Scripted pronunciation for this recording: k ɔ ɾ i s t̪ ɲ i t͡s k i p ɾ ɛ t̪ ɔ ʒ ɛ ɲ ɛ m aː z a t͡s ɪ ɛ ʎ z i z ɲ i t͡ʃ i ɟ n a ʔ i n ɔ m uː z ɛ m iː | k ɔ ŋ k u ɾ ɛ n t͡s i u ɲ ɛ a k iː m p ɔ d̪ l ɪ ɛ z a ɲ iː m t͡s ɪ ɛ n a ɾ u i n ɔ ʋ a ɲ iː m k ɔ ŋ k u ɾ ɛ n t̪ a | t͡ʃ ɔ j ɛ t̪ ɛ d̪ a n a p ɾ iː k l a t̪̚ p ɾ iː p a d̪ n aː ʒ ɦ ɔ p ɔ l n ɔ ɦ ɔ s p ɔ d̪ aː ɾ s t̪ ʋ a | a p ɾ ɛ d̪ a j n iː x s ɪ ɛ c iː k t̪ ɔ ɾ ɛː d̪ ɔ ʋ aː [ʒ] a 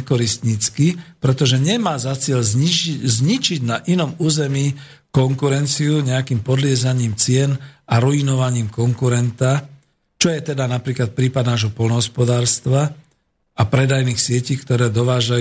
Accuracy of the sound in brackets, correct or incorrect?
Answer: correct